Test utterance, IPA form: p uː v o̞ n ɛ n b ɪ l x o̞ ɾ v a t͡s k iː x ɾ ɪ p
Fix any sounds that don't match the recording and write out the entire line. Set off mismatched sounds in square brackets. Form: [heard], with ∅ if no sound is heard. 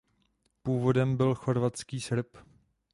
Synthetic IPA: p uː v o̞ [d] ɛ [m] b ɪ l x o̞ ɾ v a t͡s k iː [s] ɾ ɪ p